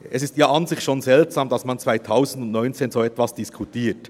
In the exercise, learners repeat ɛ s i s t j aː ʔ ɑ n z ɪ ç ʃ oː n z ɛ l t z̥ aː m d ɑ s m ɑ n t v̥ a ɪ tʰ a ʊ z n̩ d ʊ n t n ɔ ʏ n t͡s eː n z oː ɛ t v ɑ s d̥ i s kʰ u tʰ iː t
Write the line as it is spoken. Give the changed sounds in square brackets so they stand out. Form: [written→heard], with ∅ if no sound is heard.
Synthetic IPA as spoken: ɛ s [i→ɪ] s t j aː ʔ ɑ n z ɪ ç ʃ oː n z ɛ l t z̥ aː m d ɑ s m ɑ n [t→t͡s] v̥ a ɪ tʰ a ʊ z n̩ d ʊ n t n ɔ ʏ n t͡s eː n z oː ɛ t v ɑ s d̥ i s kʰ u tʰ iː t